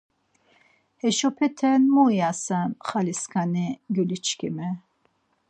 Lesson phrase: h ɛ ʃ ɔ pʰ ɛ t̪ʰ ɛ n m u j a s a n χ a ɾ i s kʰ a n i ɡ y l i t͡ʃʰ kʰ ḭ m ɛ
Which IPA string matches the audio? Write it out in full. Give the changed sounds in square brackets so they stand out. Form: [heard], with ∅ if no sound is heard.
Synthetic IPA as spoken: h ɛ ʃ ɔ pʰ ɛ t̪ʰ ɛ n m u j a s a n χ a [l] i s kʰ a n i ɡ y l i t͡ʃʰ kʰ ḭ m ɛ